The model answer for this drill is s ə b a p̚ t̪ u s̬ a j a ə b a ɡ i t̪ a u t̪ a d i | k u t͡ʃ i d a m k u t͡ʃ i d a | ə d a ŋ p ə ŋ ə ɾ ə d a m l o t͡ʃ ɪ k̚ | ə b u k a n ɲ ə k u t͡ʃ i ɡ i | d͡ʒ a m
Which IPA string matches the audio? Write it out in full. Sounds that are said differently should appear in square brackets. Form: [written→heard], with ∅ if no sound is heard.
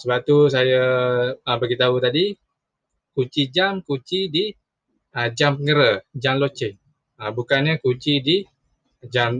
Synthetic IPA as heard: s ə b a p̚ t̪ u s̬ a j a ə b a ɡ i t̪ a u t̪ a d i | k u t͡ʃ i [d→d͡ʒ] a m k u t͡ʃ i d [a→i] | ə [d→d͡ʒ] a [ŋ→m] p ə ŋ ə ɾ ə [d→d͡ʒ] a m l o t͡ʃ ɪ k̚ | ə b u k a n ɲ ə k u t͡ʃ i [ɡ→d] i | d͡ʒ a m